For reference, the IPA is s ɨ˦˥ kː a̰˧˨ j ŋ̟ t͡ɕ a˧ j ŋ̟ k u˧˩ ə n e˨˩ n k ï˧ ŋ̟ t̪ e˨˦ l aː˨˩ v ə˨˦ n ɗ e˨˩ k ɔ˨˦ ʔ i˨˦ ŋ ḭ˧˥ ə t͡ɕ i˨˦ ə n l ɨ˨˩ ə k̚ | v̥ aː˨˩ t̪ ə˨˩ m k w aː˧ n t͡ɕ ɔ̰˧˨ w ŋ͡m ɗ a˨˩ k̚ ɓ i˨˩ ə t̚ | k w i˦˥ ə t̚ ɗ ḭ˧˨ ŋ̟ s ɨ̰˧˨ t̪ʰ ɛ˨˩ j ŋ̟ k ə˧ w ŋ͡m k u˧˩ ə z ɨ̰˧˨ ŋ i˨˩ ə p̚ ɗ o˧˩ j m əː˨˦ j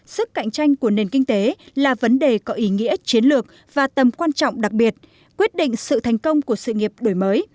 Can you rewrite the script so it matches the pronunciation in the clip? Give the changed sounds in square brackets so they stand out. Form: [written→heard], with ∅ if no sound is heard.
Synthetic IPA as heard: s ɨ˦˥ kː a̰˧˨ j ŋ̟ t͡ɕ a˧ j ŋ̟ k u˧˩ ə n e˨˩ n k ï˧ ŋ̟ t̪ e˨˦ l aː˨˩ v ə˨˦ n ɗ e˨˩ k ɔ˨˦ ʔ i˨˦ ŋ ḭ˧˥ ə t͡ɕ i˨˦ ə n l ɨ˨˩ ə k̚ | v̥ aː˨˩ t̪ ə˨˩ m k w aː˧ n t͡ɕ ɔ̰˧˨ w ŋ͡m ɗ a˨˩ k̚ ɓ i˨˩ ə t̚ | k w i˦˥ ə t̚ ɗ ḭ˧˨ ŋ̟ s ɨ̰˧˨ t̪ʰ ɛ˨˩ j ŋ̟ k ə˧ w ŋ͡m k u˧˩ ə [z→s] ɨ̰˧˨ ŋ i˨˩ ə p̚ ɗ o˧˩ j m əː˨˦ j